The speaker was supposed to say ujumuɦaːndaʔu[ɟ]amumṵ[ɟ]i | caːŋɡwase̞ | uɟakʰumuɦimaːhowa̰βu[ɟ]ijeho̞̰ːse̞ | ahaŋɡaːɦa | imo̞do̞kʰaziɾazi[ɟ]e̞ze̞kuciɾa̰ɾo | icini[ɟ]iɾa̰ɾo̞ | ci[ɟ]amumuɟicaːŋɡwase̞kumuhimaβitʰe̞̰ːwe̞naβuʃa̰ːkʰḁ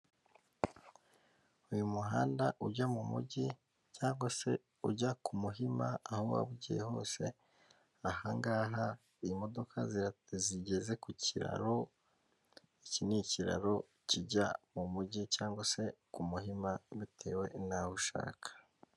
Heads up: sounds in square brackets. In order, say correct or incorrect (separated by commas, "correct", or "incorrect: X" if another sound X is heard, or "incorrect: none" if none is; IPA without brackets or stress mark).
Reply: correct, correct, correct, correct, incorrect: c, correct